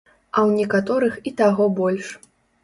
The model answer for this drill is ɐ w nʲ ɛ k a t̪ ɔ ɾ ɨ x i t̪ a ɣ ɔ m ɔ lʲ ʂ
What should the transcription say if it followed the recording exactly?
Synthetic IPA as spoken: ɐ w nʲ ɛ k a t̪ ɔ ɾ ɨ x i t̪ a ɣ ɔ b ɔ lʲ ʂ